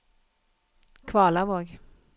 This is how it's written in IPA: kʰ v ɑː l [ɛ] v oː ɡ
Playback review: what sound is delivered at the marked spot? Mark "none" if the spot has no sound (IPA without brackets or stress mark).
a